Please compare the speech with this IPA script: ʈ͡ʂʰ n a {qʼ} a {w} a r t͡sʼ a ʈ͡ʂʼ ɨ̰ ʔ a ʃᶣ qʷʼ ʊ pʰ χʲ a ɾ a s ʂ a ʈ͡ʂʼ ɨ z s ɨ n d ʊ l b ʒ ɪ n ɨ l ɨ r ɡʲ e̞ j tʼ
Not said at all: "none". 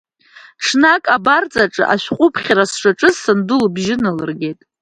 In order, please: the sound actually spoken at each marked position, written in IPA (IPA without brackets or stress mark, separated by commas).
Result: kʼ, b